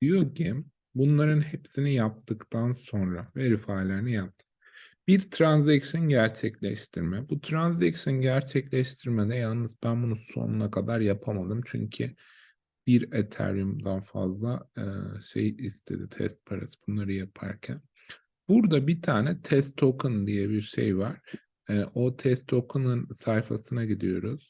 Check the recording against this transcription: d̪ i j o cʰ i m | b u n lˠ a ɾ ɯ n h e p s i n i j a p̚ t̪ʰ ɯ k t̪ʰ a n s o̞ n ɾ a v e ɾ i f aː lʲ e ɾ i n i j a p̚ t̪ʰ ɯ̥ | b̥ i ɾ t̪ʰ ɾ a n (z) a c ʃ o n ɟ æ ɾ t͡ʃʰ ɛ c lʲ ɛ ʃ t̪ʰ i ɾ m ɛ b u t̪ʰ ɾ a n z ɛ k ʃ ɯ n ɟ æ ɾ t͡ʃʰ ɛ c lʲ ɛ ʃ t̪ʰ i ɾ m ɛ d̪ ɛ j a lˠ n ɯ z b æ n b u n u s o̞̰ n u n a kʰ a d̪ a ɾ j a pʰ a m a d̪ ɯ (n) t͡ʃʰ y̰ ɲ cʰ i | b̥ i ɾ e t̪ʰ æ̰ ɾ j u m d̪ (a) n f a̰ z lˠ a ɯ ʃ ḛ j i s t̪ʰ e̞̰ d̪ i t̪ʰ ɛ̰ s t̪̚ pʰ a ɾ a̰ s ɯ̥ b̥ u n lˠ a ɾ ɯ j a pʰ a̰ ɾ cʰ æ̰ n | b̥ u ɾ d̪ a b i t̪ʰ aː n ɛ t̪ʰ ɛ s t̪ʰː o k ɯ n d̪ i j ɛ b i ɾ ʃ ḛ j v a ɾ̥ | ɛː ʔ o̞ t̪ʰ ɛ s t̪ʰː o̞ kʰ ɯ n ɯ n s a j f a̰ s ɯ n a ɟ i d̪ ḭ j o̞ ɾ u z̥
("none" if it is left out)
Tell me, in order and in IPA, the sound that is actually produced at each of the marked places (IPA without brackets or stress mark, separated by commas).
z, m, a